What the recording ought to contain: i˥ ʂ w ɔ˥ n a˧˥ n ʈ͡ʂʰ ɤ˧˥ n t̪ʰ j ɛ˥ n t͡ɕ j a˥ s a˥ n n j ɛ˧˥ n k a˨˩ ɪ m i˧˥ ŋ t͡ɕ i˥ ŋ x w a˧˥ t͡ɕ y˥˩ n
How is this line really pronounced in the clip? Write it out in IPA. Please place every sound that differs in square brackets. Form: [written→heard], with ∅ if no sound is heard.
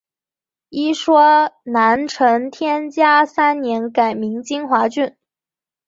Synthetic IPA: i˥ ʂ w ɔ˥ n a˧˥ n ʈ͡ʂʰ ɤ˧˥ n t̪ʰ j ɛ˥ n t͡ɕ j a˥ s a˥ n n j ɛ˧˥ n k a˨˩ ɪ m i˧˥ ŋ t͡ɕ i˥ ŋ x w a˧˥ t͡ɕ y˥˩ n